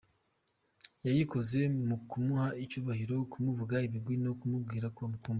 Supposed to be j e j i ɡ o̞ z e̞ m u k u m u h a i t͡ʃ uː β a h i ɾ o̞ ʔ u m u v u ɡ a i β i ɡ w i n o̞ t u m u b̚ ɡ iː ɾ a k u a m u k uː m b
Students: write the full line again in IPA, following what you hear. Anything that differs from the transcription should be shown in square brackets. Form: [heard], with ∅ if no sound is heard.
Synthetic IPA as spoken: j [a] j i [k] o̞ z e̞ m u k u m u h a i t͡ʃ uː β a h i ɾ o̞ [k] u m u v u ɡ a i β i ɡ w i n o̞ [k] u m u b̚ ɡ iː ɾ a k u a m u k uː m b